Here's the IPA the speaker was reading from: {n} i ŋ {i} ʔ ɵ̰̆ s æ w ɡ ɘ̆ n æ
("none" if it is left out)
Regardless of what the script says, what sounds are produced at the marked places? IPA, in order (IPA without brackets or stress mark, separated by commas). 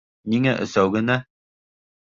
n, æ